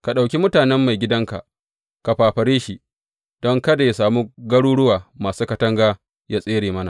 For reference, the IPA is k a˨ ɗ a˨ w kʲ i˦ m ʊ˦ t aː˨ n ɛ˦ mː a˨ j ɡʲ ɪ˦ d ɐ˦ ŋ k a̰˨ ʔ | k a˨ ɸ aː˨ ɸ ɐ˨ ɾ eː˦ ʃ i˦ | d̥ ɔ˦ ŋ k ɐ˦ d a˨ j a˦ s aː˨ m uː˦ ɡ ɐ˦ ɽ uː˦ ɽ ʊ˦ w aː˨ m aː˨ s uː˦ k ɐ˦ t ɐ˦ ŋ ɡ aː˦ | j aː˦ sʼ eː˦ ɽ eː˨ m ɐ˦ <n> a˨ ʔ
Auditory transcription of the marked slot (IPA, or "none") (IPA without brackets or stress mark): n